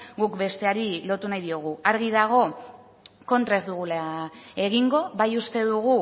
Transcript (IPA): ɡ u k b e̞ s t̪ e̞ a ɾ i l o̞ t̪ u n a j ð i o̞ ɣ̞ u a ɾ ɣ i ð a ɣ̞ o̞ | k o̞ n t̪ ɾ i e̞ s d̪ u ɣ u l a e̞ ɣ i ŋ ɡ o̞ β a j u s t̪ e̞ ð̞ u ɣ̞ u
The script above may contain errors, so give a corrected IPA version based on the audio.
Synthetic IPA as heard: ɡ u k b e̞ s t̪ e̞ a ɾ i l o̞ t̪ u n a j ð i o̞ ɣ̞ u a ɾ ɣ i ð a ɣ̞ o̞ | k o̞ n t̪ ɾ a e̞ z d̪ u ɣ u l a e̞ ɣ i ŋ ɡ o̞ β a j u s t̪ e̞ ð̞ u ɣ̞ u